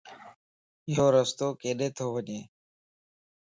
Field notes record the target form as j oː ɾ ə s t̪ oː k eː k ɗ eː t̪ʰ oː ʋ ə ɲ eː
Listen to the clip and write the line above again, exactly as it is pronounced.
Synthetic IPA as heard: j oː ɾ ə s t̪ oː k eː ɗ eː t̪ʰ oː ʋ ə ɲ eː